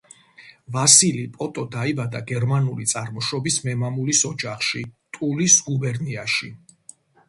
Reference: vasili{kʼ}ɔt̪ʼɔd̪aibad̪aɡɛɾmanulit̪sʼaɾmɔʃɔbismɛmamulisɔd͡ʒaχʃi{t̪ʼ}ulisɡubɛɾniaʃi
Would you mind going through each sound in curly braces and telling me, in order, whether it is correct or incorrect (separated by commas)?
incorrect, correct